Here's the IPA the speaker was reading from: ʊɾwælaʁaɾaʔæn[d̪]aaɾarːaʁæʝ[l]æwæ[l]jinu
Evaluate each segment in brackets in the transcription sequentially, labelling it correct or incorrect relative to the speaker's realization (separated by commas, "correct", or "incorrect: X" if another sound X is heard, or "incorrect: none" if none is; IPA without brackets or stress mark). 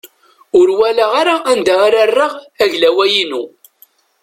correct, correct, incorrect: none